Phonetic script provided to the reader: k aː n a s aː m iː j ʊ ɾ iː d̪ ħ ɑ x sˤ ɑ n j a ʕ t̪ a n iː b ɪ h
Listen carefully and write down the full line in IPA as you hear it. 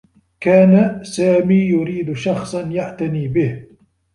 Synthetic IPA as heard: k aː n a s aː m iː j ʊ ɾ iː d̪ ʃ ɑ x sˤ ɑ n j a ʕ t̪ a n iː b ɪ h